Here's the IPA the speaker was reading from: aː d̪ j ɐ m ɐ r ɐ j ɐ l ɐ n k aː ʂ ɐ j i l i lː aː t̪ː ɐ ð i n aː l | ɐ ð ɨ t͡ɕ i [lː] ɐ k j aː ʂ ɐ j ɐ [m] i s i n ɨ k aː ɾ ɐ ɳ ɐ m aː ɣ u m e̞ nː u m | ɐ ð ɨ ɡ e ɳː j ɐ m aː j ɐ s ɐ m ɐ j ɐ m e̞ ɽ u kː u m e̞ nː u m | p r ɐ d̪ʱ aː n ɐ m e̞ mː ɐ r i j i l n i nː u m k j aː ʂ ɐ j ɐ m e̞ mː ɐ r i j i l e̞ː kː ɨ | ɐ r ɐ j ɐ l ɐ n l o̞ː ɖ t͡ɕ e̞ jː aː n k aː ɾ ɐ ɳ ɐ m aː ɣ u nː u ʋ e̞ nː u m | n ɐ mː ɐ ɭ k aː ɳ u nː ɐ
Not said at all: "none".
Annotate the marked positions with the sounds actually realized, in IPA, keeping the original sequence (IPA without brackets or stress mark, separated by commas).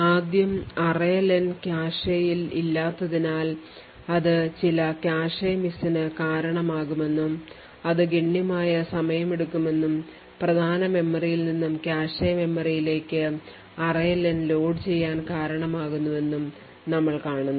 l, m